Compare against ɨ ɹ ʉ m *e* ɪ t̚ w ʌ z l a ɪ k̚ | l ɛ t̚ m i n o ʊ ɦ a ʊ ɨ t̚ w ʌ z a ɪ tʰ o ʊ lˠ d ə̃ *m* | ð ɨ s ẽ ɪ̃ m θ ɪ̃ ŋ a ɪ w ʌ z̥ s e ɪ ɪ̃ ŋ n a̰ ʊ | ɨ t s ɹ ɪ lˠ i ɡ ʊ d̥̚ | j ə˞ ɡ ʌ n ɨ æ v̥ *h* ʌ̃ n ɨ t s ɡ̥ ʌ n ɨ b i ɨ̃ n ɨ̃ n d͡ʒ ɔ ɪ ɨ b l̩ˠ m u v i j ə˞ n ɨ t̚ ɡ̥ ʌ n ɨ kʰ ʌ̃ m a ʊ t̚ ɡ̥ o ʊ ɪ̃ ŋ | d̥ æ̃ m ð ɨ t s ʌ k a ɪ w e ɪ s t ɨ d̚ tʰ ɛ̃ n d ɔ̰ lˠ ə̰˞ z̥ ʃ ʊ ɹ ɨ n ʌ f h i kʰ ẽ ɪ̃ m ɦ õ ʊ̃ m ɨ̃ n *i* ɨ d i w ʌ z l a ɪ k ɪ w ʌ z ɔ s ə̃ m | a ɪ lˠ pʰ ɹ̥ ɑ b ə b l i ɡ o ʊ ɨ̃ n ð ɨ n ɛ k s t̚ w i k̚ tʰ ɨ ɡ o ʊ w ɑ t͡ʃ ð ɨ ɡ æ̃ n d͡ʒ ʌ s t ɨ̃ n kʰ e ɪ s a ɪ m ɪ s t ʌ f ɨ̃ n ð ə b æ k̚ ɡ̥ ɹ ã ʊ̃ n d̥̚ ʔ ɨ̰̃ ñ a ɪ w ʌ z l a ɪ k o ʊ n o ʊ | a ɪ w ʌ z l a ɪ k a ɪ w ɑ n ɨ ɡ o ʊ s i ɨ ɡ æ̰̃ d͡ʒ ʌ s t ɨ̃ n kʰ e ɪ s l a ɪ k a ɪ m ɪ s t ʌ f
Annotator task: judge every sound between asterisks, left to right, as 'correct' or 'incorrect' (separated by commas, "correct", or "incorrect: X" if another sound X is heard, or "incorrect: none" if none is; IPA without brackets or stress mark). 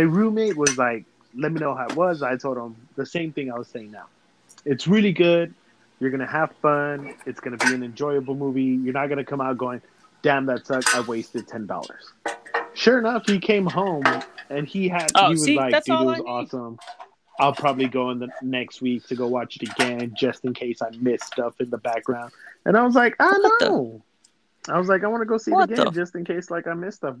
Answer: correct, correct, incorrect: f, correct